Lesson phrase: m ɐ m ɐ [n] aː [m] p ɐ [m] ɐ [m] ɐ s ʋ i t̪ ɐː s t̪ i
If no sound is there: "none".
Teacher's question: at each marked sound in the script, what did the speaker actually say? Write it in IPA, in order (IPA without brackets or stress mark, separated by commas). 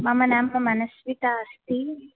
n, m, m, n